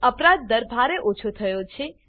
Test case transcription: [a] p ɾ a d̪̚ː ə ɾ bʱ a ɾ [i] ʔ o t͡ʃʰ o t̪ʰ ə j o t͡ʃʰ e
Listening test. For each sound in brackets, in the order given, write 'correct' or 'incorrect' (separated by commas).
incorrect, incorrect